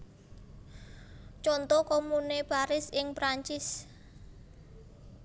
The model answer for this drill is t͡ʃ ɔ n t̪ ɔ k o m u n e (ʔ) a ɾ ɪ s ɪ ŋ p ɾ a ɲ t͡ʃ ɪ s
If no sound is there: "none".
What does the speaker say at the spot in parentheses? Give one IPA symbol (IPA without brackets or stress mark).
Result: p